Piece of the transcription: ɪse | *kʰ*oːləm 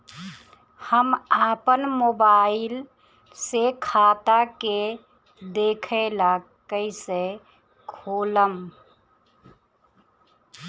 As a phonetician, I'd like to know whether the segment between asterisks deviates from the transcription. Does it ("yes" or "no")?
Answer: no